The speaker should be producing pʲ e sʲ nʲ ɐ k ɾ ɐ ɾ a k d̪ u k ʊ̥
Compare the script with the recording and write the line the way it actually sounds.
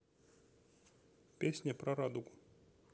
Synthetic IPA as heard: pʲ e sʲ nʲ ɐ p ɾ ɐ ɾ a d̪ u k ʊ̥